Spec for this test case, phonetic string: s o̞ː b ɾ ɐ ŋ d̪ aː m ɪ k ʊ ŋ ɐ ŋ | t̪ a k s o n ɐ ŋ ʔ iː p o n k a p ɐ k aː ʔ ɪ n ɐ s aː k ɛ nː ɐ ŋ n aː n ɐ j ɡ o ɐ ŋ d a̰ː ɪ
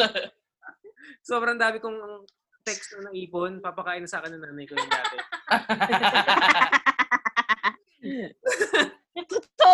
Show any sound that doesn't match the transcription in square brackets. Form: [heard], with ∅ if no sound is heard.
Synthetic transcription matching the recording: s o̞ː b ɾ ɐ ŋ d̪ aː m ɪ k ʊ ŋ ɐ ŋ | t̪ [ɛ] k s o n ɐ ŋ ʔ iː p o n [p] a p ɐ k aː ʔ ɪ n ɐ s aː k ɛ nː ɐ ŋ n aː n ɐ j [k] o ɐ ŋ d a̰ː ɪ